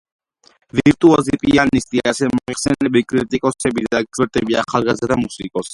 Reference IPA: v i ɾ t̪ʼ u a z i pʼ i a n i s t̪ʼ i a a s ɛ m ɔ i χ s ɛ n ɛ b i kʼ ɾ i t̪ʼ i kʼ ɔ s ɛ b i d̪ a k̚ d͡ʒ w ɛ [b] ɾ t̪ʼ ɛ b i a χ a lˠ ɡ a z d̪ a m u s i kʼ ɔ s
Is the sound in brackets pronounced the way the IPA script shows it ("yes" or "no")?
no